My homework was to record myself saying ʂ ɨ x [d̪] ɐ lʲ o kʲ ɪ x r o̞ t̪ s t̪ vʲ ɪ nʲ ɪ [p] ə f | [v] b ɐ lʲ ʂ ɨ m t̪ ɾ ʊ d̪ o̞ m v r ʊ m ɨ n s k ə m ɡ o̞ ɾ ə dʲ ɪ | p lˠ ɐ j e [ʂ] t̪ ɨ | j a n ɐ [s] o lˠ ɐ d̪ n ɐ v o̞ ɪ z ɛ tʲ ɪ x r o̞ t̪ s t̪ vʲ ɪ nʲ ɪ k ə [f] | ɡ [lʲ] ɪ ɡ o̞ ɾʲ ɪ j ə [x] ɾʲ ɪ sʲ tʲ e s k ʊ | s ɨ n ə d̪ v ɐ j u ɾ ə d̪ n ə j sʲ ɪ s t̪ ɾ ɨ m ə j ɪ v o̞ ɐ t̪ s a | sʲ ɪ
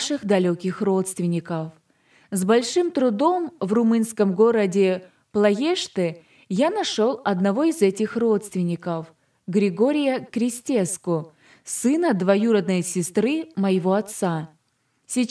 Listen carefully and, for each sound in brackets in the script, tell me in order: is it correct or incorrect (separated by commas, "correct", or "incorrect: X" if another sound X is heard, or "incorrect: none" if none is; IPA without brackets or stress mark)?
correct, incorrect: k, incorrect: z, correct, incorrect: ʂ, correct, incorrect: ɾʲ, incorrect: k